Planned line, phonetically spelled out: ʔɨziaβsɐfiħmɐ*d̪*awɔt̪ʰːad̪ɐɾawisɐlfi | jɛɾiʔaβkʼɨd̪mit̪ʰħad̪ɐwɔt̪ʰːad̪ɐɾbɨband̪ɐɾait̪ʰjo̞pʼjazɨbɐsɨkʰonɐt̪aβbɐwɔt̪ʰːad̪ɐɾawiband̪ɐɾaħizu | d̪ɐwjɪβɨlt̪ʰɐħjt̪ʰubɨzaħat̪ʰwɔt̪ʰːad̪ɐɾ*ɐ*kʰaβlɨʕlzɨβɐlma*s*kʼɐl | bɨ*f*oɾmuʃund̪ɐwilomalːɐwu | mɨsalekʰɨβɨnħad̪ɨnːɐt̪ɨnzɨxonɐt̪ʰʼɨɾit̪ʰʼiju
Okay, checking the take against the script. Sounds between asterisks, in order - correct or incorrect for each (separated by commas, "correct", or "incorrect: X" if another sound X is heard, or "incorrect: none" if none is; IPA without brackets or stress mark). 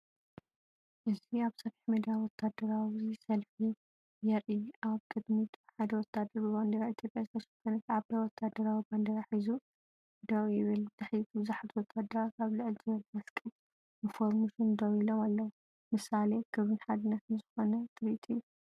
correct, incorrect: a, correct, correct